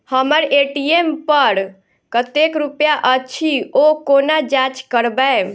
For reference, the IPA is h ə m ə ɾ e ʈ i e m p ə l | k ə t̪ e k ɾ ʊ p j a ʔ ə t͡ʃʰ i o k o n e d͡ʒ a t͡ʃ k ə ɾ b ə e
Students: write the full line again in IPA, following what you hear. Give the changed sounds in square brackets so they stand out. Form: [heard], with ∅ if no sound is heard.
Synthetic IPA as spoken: h ə m ə ɾ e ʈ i e m p ə [ɾ] | k ə t̪ e k ɾ [u] p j a ʔ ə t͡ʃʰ i o k o n [a] d͡ʒ a t͡ʃ k ə ɾ b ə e